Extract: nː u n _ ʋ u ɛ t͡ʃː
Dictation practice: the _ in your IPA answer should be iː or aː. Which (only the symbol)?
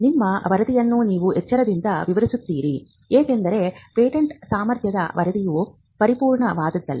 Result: iː